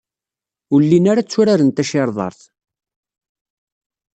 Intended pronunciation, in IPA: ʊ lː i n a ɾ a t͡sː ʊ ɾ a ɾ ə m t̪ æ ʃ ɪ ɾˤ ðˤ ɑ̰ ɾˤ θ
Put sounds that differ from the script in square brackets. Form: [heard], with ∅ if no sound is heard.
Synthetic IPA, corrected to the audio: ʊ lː i n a ɾ a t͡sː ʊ ɾ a ɾ ə [n] t̪ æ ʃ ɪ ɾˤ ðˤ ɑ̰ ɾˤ θ